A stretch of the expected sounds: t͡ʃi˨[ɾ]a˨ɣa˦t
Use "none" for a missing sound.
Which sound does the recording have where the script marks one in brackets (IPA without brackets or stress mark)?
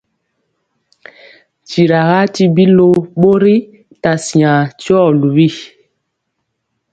ɾ